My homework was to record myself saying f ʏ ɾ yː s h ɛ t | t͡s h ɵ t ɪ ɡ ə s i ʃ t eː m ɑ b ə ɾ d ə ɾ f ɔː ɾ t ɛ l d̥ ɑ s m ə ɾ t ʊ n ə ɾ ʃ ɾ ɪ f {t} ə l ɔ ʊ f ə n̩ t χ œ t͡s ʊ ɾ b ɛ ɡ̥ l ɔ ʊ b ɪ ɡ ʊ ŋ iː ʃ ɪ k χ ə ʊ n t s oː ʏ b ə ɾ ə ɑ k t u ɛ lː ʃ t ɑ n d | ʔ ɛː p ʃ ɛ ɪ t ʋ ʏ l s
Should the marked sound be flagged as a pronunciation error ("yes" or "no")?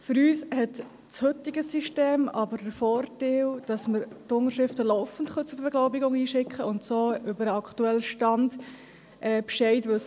no